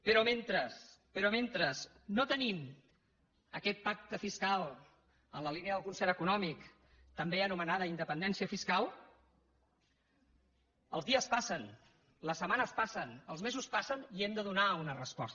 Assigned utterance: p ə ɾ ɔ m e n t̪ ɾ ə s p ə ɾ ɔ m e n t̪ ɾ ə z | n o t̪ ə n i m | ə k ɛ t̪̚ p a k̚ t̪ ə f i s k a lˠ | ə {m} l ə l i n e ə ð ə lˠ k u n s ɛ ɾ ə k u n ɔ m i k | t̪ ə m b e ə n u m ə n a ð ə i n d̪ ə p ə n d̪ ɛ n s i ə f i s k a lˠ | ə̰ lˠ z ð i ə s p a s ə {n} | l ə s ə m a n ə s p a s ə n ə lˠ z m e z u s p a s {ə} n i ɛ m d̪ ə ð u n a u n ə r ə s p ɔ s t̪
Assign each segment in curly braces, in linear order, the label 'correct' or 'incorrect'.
incorrect: n, correct, correct

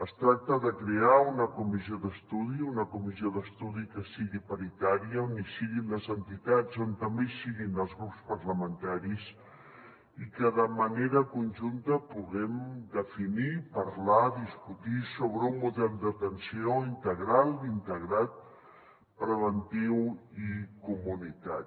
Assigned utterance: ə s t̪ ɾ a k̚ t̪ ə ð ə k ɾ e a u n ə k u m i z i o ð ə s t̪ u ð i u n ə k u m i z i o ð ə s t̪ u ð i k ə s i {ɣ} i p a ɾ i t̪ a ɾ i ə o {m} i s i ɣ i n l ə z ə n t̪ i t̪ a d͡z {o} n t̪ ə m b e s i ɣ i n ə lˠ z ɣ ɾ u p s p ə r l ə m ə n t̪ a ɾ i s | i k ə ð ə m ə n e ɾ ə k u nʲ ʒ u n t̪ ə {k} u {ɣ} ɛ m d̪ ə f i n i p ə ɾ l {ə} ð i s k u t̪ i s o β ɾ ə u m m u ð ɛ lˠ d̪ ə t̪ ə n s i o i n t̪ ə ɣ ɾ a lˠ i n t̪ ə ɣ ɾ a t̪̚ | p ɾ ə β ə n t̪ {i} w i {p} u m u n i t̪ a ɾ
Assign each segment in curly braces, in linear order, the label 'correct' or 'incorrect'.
correct, incorrect: n, correct, incorrect: p, correct, incorrect: a, correct, incorrect: k

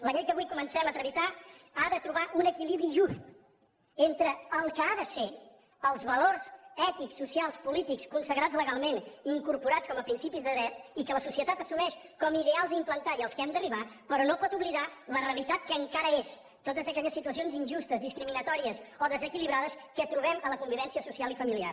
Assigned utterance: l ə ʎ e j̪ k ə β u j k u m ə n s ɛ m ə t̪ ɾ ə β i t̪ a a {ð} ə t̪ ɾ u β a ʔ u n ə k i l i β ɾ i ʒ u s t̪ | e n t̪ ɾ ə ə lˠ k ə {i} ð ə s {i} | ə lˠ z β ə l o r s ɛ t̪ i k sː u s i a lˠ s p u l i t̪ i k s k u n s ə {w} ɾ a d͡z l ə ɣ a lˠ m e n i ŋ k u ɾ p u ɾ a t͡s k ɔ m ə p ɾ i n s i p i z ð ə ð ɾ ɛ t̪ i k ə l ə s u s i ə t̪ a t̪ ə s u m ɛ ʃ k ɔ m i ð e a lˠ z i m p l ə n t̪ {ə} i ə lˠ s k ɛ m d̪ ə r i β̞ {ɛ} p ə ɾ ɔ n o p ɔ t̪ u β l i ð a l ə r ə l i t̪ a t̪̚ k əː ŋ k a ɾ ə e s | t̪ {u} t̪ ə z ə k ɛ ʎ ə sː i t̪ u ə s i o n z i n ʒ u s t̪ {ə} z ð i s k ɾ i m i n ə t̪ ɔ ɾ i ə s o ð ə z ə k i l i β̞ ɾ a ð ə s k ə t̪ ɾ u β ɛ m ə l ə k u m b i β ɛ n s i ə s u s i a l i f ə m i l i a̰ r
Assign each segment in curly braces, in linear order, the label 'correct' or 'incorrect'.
correct, incorrect: a, incorrect: e, incorrect: ɣ, incorrect: a, incorrect: a, incorrect: o, correct

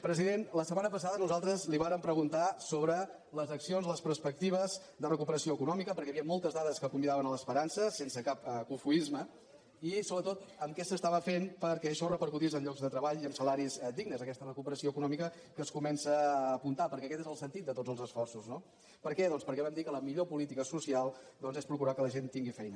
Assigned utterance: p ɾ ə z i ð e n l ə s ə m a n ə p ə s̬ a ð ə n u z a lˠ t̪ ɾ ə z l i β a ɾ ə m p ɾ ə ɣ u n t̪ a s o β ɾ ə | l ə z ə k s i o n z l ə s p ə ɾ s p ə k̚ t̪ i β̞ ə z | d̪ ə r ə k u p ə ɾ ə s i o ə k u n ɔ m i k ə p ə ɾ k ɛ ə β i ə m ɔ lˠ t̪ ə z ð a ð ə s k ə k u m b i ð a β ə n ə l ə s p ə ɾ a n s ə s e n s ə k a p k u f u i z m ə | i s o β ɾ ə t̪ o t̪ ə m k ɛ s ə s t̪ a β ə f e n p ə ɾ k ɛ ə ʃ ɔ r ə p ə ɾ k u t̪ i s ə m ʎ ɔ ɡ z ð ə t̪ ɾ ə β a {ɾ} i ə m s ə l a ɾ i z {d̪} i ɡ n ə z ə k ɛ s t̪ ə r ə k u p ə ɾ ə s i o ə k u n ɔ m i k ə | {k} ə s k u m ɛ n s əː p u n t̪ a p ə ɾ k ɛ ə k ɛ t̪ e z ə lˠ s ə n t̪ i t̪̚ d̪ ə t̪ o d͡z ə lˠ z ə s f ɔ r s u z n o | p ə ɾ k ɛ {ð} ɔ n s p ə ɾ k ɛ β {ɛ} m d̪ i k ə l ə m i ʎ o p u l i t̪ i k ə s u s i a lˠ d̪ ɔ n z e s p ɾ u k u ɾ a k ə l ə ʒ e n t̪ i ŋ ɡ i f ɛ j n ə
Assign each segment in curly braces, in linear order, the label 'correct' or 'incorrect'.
incorrect: ʎ, correct, correct, correct, correct

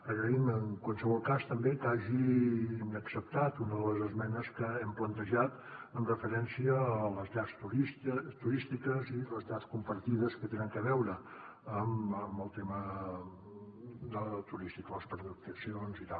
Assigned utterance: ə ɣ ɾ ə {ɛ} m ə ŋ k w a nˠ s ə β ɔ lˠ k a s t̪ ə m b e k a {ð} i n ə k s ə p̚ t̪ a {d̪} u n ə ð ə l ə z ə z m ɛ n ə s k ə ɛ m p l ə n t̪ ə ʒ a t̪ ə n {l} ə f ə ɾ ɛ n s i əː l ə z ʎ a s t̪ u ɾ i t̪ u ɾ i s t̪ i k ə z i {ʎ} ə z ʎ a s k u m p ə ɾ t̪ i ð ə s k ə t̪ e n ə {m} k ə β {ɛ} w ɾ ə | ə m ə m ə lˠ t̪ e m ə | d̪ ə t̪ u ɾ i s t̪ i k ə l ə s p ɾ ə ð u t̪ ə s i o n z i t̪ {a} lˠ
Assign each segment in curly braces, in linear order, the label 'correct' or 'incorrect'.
incorrect: i, incorrect: ʒ, incorrect: t̪, incorrect: r, incorrect: l, incorrect: ŋ, correct, correct

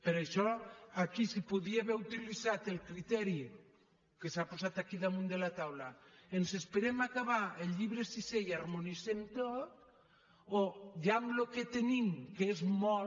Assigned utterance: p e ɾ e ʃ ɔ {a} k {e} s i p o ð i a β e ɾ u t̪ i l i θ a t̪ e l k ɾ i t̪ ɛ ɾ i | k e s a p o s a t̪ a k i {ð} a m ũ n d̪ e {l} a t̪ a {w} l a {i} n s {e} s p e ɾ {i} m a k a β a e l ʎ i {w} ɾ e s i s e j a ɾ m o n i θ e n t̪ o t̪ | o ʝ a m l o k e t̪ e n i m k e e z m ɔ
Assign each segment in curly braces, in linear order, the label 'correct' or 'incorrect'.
correct, incorrect: i, correct, correct, correct, incorrect: e, correct, incorrect: e, incorrect: β

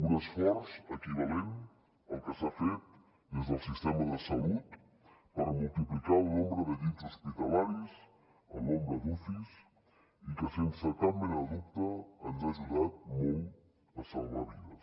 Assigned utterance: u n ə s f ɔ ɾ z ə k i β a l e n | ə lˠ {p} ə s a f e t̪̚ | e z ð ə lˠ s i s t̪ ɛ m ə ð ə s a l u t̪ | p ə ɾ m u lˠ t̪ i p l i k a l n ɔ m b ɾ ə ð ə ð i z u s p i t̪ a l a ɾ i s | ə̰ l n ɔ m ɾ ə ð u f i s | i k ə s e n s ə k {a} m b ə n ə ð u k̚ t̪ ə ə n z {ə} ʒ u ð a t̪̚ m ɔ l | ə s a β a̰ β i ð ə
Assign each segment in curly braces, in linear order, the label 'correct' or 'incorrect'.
incorrect: k, correct, incorrect: a

